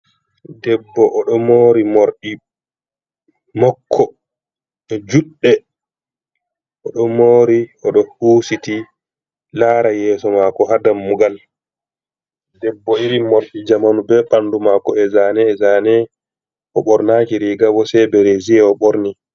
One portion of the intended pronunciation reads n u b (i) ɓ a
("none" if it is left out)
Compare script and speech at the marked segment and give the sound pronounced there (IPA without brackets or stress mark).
ɛ